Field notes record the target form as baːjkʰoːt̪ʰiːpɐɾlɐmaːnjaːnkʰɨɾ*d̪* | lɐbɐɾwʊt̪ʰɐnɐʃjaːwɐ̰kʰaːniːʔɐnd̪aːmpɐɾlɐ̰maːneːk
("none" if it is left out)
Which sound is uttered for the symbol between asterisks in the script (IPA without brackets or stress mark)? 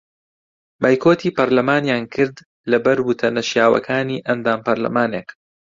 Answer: d̪